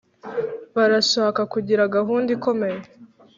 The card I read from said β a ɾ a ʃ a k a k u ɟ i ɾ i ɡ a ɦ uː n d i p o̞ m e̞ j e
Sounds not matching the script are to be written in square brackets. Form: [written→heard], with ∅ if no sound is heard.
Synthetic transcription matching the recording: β a ɾ a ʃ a k a k u ɟ i ɾ [i→a] ɡ a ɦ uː n d i [p→k] o̞ m e̞ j e